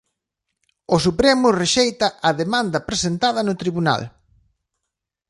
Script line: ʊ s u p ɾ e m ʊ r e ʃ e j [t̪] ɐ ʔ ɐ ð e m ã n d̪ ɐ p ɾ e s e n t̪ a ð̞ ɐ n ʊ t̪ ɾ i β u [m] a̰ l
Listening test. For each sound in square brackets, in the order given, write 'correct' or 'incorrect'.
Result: correct, incorrect

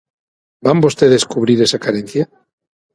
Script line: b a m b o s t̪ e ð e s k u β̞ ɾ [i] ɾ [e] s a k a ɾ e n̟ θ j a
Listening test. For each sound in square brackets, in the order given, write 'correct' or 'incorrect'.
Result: correct, correct

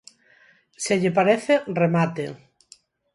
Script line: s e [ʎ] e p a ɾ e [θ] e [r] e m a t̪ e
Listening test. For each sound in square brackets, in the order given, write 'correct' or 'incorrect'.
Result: correct, correct, correct

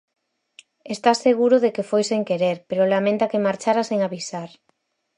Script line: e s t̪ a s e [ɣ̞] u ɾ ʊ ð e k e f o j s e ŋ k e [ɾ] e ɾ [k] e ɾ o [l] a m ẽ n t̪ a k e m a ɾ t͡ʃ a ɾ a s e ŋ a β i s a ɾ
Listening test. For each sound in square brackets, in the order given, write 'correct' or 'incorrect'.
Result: correct, correct, incorrect, correct

